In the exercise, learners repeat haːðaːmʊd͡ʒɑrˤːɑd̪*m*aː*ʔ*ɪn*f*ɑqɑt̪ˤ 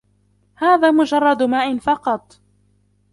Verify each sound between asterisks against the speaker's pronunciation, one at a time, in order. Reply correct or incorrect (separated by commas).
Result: correct, correct, correct